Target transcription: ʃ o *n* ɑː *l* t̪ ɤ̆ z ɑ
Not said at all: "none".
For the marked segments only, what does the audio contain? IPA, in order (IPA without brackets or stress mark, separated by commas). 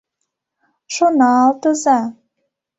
n, l